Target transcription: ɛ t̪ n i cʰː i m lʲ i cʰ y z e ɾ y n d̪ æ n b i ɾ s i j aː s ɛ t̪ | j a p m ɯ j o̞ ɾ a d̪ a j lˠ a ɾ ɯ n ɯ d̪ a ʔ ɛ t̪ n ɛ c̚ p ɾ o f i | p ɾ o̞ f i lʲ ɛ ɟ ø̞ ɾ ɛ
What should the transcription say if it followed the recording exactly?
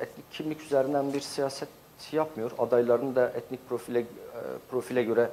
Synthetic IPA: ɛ t̪ n i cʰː i m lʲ i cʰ y z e ɾ i n d̪ æ n b i ɾ s i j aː s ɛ t̪ | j a p m ɯ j o̞ ɾ a d̪ a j lˠ a ɾ ɯ n ɯ d̪ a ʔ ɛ t̪ n i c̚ p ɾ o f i | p ɾ o̞ f i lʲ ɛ ɟ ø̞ ɾ ɛ